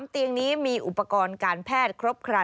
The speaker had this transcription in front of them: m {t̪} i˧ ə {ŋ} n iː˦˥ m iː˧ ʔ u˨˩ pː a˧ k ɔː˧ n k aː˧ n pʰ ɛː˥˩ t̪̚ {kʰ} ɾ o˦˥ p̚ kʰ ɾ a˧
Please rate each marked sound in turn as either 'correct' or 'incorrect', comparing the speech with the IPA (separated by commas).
correct, correct, correct